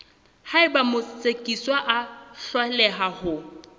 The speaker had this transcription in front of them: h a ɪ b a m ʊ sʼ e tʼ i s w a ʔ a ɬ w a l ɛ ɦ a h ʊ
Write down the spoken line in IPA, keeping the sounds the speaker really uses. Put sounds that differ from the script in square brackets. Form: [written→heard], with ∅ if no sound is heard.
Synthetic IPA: h a ɪ b a m ʊ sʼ e [tʼ→kʼ] i s w a ʔ a ɬ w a l ɛ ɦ a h ʊ